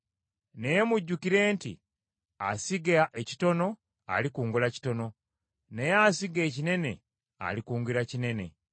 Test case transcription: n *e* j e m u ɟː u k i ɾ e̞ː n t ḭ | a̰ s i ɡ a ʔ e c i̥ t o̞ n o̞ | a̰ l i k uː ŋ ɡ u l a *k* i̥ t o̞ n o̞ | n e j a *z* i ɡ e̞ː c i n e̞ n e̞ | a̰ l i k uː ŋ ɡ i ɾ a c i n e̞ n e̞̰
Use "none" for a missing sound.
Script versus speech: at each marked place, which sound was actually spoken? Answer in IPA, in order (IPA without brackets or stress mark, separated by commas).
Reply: e, c, s